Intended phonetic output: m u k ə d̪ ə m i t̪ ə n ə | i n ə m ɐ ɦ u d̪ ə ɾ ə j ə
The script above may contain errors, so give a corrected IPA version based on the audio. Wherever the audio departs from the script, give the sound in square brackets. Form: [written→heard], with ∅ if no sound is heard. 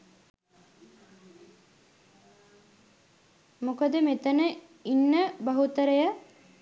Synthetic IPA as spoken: m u k ə d̪ ə m [i→e] t̪ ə n ə | i [n→nː] ə [m→b] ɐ ɦ u [d̪→t̪] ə ɾ ə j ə